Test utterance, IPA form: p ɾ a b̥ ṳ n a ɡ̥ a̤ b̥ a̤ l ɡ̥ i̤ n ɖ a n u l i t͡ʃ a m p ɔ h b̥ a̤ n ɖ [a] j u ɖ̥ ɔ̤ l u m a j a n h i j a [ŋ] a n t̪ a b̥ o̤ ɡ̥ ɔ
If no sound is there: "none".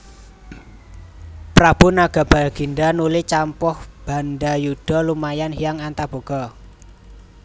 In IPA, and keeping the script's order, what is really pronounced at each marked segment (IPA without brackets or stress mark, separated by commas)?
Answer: a, ŋ